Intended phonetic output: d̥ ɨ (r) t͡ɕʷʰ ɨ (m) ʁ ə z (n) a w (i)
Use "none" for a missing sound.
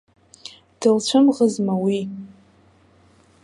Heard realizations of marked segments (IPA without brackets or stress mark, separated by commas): l, m, m, i